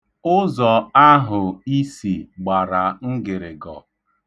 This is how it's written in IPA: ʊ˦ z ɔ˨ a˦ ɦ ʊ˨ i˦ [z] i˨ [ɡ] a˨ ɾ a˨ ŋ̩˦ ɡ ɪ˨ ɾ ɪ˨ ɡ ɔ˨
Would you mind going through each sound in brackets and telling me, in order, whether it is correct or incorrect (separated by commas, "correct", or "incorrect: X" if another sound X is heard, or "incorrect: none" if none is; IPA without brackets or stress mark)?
incorrect: s, incorrect: ɡ͡b